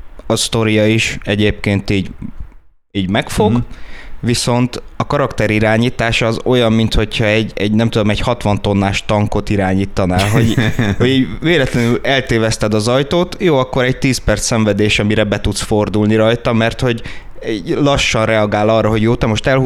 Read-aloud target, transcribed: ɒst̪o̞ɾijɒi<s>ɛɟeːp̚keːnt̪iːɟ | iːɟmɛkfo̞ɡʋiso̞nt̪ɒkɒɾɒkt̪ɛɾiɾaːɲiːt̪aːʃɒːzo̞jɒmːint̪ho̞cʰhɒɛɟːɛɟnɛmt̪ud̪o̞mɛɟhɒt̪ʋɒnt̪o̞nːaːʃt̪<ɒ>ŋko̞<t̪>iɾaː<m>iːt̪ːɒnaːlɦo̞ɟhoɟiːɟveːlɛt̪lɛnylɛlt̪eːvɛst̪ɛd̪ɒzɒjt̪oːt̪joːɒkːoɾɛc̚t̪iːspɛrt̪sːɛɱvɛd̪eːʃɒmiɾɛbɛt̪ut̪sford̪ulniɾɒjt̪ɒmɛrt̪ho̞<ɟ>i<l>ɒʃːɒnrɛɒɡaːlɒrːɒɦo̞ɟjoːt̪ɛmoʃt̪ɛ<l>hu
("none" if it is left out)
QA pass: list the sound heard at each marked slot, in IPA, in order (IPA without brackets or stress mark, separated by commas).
ʃ, ɒ, t̪, ɲ, ɟ, l, l